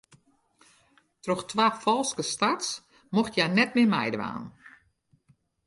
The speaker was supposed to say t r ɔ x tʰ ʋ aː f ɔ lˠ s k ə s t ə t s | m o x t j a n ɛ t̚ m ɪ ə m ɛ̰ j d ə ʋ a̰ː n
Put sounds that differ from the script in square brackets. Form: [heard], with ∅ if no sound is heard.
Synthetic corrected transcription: t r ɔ x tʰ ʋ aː f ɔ lˠ s k ə s t [a] t s | m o x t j a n ɛ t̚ m ɪ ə m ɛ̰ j d ə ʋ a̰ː n